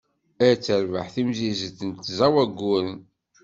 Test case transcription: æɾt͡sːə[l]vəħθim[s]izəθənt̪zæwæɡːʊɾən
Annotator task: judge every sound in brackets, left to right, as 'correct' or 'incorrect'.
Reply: incorrect: ɾ, incorrect: z

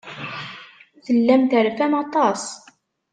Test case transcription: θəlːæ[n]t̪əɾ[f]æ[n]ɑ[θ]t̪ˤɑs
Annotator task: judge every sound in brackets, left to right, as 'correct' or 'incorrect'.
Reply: incorrect: m, correct, incorrect: m, incorrect: none

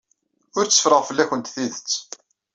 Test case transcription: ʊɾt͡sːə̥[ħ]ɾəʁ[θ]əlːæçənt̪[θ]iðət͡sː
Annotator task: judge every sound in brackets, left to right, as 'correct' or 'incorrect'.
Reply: incorrect: f, incorrect: f, correct

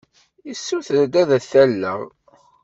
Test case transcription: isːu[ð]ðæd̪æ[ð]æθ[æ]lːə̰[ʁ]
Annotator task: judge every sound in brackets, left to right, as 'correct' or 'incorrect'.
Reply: incorrect: θ, correct, correct, correct

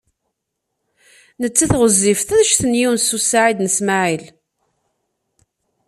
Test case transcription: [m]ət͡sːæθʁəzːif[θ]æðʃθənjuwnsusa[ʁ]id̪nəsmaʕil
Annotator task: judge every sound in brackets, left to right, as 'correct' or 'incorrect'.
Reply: incorrect: n, correct, incorrect: ʕ

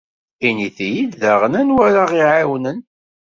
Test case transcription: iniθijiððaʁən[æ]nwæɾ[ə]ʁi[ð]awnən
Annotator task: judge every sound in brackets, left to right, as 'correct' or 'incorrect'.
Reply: correct, incorrect: a, incorrect: ʕ

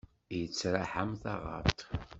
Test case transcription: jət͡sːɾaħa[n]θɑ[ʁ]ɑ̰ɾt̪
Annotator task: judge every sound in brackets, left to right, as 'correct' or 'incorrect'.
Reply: incorrect: m, correct

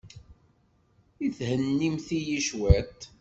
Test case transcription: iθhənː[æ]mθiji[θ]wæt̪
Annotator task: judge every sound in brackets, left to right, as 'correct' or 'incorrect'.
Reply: incorrect: i, incorrect: ʃ

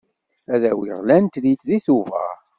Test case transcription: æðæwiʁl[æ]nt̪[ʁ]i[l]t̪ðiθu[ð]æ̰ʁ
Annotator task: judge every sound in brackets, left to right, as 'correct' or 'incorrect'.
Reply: correct, incorrect: ð, incorrect: none, incorrect: v

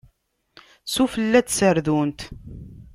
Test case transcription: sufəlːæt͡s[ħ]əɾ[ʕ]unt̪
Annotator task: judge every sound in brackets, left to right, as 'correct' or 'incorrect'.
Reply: incorrect: s, incorrect: ð

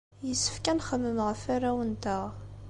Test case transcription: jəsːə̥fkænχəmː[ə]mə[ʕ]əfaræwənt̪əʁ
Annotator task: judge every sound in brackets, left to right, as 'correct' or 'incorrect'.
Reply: correct, incorrect: ʁ

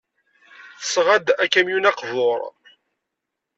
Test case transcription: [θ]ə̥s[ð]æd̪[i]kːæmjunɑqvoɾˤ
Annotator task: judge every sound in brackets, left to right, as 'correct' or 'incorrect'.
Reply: correct, incorrect: ʁ, incorrect: æ

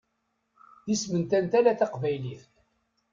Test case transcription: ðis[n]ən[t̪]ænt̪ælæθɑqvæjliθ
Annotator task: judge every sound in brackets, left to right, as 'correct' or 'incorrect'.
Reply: incorrect: m, correct

